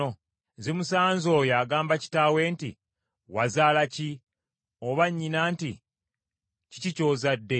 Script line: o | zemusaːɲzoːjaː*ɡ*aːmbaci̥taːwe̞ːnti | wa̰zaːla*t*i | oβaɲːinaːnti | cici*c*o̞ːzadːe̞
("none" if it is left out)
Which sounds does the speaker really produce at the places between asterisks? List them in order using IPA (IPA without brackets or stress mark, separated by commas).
ɡ, c, c